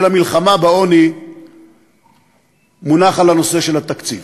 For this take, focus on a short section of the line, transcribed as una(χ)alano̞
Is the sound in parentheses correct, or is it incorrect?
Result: correct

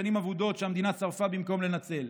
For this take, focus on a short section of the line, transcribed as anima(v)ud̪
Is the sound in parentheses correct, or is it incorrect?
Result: correct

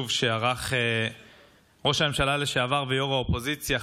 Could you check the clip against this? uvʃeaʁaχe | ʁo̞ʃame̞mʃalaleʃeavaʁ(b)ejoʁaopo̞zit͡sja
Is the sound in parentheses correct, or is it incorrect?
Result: incorrect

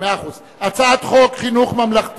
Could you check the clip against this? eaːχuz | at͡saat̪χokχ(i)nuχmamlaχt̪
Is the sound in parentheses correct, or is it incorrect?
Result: correct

